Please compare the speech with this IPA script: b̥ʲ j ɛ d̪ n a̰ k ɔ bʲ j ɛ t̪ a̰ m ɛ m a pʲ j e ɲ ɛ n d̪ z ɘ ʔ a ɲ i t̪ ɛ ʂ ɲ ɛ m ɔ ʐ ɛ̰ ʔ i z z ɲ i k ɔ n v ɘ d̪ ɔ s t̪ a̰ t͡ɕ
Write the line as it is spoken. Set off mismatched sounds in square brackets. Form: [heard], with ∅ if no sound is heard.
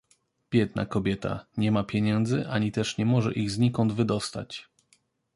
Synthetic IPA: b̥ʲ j ɛ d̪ n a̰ k ɔ bʲ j ɛ t̪ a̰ [ɲ] ɛ m a pʲ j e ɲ ɛ n d̪ z ɘ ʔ a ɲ i t̪ ɛ ʂ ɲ ɛ m ɔ ʐ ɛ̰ ʔ i [ɣ] z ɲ i k ɔ n v ɘ d̪ ɔ s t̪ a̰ t͡ɕ